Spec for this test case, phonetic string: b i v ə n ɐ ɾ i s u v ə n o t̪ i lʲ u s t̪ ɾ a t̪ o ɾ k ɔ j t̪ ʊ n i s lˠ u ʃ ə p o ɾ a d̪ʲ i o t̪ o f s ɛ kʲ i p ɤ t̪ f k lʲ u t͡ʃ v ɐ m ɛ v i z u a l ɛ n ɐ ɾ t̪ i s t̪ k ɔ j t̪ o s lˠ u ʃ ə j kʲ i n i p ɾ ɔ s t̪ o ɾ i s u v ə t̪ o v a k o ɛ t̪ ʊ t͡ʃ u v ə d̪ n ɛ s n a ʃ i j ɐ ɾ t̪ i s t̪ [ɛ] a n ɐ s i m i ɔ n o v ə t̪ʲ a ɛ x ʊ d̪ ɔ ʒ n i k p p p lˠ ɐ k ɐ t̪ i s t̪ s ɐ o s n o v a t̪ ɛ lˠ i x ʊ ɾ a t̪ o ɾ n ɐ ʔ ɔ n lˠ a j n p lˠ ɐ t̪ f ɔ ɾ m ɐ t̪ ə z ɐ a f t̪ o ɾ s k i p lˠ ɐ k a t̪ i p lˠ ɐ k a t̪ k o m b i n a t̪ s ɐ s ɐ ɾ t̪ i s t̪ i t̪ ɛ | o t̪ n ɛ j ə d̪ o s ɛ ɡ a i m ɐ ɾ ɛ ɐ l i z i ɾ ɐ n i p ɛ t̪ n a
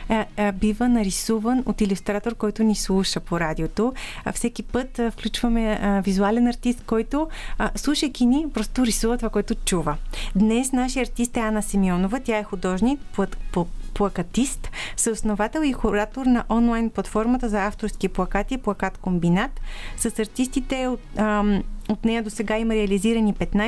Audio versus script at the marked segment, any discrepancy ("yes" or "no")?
no